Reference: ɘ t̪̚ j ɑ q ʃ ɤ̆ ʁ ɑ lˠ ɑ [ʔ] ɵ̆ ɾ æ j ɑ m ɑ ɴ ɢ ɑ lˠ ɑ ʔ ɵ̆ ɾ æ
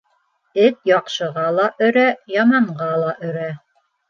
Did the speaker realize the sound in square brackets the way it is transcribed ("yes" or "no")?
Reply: yes